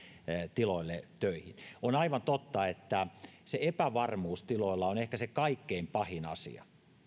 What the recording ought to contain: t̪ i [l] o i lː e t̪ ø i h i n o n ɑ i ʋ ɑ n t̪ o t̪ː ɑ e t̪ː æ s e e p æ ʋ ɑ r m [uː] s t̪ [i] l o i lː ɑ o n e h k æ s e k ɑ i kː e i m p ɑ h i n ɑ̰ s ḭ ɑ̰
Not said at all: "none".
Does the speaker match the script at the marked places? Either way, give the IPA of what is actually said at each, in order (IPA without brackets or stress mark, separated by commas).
l, uː, i